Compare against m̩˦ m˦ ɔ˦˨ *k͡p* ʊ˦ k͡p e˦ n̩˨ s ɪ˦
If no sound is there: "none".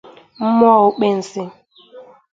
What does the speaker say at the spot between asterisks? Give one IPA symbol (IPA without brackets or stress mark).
none